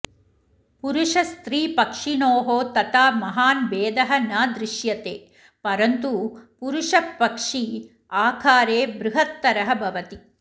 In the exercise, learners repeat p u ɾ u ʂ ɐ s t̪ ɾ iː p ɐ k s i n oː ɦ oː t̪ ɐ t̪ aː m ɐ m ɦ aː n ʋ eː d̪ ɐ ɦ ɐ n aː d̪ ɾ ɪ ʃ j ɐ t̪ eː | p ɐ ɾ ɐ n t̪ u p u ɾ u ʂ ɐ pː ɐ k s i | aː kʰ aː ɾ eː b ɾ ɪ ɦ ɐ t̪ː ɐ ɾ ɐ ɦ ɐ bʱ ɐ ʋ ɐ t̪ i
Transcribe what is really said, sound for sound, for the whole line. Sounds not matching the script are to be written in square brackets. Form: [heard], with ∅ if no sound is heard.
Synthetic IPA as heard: p u ɾ u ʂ ɐ s t̪ ɾ iː p ɐ k [ʂ] i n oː ɦ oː t̪ ɐ t̪ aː m ɐ [∅] ɦ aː n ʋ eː d̪ ɐ ɦ ɐ n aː d̪ ɾ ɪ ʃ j ɐ t̪ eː | p ɐ ɾ ɐ n t̪ u p u ɾ u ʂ ɐ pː ɐ k [ʂ] i | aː kʰ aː ɾ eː b ɾ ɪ ɦ ɐ t̪ː ɐ ɾ ɐ ɦ ɐ bʱ ɐ ʋ ɐ t̪ i